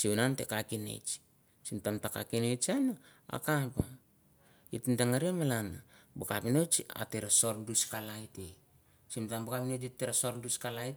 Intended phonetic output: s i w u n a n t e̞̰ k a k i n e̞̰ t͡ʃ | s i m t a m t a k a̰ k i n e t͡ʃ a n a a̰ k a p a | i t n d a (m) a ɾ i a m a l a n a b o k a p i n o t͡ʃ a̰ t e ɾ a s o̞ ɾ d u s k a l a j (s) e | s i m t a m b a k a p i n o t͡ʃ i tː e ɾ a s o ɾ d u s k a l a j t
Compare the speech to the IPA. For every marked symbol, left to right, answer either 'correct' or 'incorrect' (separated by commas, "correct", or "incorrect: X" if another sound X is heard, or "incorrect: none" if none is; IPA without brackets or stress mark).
incorrect: ŋ, incorrect: t